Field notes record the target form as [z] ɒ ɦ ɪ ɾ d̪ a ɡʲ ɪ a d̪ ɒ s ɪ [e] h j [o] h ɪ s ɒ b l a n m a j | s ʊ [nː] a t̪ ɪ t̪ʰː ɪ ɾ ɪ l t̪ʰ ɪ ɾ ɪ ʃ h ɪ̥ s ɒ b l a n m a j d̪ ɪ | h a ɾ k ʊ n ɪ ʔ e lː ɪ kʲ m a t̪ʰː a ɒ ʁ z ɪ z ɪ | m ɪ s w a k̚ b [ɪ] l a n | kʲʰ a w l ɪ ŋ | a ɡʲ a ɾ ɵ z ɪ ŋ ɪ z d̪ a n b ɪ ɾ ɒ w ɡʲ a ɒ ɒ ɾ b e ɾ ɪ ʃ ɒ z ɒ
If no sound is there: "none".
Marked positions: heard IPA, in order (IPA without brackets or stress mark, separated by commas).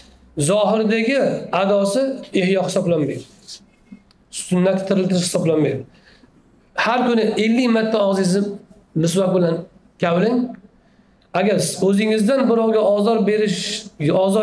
z, e, ɒ, nː, ɪ